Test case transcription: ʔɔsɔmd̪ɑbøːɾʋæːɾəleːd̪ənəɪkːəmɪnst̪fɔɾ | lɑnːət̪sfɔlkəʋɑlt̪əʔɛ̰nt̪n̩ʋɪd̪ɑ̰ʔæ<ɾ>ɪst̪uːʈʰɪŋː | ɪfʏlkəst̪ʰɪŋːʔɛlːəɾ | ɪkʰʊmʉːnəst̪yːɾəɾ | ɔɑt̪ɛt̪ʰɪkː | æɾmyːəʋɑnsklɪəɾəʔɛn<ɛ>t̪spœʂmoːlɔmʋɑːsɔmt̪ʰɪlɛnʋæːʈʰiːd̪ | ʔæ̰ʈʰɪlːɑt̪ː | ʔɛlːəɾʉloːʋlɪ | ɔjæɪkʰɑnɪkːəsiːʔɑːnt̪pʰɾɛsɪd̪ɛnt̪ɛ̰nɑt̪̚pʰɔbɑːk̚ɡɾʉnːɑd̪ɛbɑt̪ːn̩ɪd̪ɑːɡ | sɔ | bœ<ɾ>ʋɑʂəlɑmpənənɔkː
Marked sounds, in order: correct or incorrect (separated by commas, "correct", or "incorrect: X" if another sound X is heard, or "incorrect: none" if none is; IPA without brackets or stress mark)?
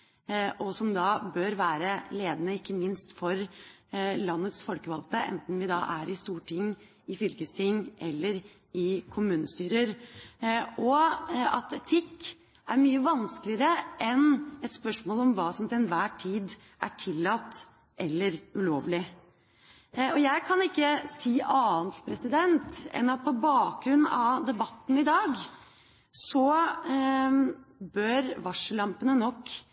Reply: correct, correct, correct